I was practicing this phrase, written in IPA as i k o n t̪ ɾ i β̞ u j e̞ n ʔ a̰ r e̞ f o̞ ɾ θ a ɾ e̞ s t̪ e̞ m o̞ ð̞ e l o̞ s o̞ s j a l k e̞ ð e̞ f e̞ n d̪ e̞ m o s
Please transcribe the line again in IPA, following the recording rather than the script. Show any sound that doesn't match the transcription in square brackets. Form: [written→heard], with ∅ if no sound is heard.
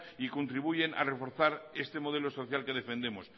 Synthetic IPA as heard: i k o n t̪ ɾ i β̞ u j e̞ n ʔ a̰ r e̞ f o̞ ɾ θ a ɾ e̞ s t̪ e̞ m o̞ ð̞ e l o̞ s o̞ [s→θ] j a l k e̞ ð e̞ f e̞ n d̪ e̞ m o s